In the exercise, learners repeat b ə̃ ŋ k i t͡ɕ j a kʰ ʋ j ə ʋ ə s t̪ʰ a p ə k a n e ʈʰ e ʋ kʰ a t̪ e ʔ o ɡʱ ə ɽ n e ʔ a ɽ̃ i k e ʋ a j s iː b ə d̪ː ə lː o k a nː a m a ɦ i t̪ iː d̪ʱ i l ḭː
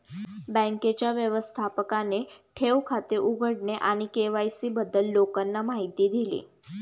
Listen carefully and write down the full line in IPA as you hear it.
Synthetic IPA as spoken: b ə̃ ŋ k e t͡ɕ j a ʋ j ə ʋ ə s t̪ʰ a p ə k a n e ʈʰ e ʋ kʰ a t̪ e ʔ u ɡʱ ə ɽ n e ʔ a ɽ̃ i k e ʋ a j s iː b ə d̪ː ə lː o k a nː a m a ɦ i t̪ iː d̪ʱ i l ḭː